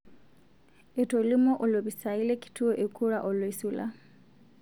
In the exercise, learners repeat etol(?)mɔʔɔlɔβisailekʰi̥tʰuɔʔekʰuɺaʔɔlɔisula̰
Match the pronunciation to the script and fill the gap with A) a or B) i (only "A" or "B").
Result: B